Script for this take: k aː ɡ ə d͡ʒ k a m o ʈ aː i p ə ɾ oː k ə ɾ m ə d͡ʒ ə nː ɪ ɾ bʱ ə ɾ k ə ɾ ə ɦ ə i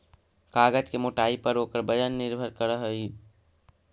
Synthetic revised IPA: k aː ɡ ə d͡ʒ k e m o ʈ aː i p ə ɾ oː k ə ɾ b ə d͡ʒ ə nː ɪ ɾ bʱ ə ɾ k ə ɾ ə ɦ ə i

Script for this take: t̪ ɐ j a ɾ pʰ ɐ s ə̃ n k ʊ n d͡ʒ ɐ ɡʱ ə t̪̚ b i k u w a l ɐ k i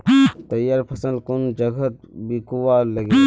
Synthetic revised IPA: t̪ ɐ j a ɾ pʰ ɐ s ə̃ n k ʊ n d͡ʒ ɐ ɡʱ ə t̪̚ b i k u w a l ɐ ɡ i

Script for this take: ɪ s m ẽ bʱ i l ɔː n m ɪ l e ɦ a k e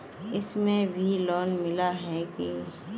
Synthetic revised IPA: ɪ s m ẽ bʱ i l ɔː n m ɪ l a ɦ ɛ k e

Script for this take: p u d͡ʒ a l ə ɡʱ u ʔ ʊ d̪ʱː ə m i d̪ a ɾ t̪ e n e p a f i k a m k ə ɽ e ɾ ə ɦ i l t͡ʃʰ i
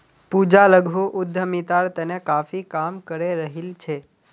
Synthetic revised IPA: p u d͡ʒ a l ə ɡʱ u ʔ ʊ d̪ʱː ə m i t̪ a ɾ t̪ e n e k a f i k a m k ə ɾ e ɾ ə ɦ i l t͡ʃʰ e

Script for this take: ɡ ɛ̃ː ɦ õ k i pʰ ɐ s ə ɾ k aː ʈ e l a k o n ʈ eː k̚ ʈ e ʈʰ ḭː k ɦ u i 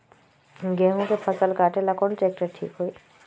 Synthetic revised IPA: ɡ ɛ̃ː ɦ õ k e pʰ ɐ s ə l k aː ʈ e l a k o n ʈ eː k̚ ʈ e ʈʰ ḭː k ɦ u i

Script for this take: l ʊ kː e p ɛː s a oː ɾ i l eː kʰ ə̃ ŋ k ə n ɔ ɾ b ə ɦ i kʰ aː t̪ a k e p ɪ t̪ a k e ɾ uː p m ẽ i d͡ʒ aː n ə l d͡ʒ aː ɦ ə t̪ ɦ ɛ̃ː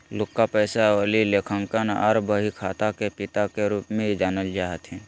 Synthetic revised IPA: l ʊ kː a p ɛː s a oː l i l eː kʰ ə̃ ŋ k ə n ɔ ɾ b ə ɦ i kʰ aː t̪ a k e p ɪ t̪ a k e ɾ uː p m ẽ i d͡ʒ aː n ə l d͡ʒ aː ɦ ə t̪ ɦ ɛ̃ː

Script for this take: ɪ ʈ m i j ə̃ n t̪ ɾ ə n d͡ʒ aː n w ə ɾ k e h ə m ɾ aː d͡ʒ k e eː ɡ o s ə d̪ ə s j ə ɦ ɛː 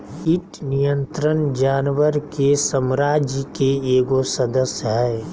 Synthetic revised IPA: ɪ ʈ n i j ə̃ n t̪ ɾ ə n d͡ʒ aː n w ə ɾ k e s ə m ɾ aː d͡ʒ k e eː ɡ o s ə d̪ ə s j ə ɦ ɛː

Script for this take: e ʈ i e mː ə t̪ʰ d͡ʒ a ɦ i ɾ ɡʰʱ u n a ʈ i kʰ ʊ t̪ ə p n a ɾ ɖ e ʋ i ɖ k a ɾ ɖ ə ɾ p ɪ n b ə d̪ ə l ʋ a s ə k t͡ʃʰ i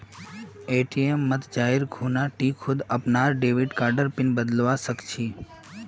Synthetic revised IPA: e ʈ i e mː ə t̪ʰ d͡ʒ a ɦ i ɾ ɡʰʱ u n a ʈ i kʰ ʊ d̪ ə p n a ɾ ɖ e ʋ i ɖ k a ɾ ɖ ə ɾ p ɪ n b ə d̪ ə l ʋ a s ə k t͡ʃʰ i

